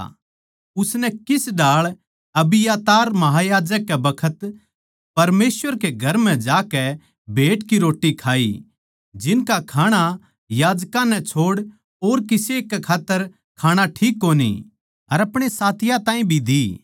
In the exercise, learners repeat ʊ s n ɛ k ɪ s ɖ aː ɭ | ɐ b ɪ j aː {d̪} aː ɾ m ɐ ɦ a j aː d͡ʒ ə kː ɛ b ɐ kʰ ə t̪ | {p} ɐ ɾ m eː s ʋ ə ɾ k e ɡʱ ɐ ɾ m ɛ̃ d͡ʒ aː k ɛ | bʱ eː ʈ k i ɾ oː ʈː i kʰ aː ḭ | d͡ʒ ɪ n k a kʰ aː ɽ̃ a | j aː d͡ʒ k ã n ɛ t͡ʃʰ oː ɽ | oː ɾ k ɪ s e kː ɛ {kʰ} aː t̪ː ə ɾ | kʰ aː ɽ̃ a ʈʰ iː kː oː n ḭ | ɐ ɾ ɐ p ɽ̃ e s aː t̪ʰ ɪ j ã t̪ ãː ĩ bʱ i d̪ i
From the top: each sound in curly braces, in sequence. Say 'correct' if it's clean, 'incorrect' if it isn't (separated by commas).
incorrect, correct, correct